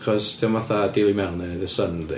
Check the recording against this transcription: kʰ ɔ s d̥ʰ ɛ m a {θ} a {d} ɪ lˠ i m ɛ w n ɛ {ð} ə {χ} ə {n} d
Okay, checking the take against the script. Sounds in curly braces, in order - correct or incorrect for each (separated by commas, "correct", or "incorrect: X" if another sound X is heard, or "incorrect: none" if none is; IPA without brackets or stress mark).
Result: correct, correct, correct, incorrect: s, correct